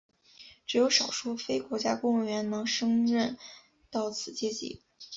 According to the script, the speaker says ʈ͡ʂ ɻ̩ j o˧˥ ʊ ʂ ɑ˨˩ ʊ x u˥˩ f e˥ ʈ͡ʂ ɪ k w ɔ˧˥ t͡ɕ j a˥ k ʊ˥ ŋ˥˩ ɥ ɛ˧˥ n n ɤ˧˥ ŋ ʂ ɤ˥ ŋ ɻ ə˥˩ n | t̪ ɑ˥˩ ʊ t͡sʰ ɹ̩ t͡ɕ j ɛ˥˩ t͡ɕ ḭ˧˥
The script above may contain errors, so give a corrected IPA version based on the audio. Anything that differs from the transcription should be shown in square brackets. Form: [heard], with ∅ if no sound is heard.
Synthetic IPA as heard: ʈ͡ʂ ɻ̩ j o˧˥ ʊ ʂ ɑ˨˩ ʊ [ʂ] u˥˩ f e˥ [∅] ɪ k w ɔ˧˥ t͡ɕ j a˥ k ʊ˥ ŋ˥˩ ɥ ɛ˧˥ n n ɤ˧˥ ŋ ʂ ɤ˥ ŋ ɻ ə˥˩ n | t̪ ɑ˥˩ ʊ t͡sʰ ɹ̩ t͡ɕ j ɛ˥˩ t͡ɕ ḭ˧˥